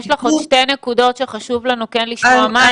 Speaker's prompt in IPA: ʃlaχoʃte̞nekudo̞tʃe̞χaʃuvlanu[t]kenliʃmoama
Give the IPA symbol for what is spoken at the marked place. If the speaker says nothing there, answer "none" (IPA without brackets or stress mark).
none